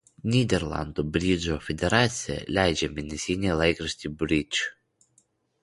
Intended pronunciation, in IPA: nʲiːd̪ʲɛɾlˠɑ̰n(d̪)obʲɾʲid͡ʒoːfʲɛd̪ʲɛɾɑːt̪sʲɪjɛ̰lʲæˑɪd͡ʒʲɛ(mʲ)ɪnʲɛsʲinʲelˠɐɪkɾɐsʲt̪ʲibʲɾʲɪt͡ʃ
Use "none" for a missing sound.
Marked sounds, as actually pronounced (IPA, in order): d̪, mʲ

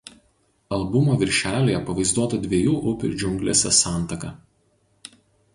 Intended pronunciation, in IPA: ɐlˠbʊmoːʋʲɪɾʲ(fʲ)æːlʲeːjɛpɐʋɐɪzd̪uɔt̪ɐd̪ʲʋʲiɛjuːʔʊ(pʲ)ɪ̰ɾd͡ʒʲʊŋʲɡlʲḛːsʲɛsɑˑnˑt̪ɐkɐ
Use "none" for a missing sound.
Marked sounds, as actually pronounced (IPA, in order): ʃʲ, pʲ

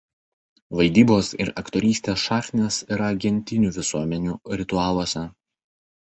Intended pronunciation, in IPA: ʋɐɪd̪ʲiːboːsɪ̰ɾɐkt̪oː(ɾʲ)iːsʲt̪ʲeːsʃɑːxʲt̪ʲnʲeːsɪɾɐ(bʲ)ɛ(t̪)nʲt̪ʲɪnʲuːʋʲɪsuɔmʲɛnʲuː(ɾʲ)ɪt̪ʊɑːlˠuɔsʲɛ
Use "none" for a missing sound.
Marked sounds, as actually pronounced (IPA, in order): ɾʲ, ɡʲ, none, ɾʲ

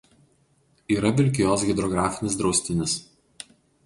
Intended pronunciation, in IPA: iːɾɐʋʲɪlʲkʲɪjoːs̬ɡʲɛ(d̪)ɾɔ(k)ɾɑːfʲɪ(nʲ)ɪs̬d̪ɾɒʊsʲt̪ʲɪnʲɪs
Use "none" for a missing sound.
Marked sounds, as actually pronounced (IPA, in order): d̪, ɡ, nʲ

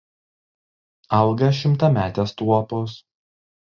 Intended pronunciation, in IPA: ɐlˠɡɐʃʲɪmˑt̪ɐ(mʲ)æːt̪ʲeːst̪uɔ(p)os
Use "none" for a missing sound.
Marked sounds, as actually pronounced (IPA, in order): mʲ, p

